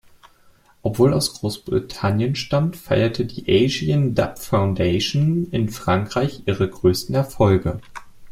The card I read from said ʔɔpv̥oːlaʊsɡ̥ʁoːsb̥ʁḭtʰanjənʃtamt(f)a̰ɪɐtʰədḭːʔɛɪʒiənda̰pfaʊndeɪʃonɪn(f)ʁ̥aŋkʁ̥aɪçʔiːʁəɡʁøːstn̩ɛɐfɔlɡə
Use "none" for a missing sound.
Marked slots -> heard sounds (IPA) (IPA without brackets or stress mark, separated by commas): f, f